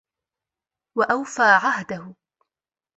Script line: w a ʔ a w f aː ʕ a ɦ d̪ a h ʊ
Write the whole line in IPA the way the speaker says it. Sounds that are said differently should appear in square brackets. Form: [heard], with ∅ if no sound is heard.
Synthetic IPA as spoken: w a ʔ a w f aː ʕ a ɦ d̪ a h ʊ